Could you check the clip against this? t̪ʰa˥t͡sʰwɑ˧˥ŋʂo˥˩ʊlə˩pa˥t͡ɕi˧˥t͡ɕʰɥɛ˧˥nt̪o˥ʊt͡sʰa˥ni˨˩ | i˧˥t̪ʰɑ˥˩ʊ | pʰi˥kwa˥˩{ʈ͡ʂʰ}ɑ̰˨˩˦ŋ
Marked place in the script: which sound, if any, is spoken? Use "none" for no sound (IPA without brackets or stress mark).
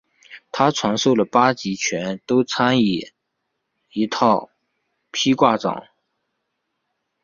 ʈ͡ʂ